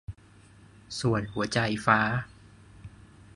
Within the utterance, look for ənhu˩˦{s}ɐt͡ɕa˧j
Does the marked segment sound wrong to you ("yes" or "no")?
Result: yes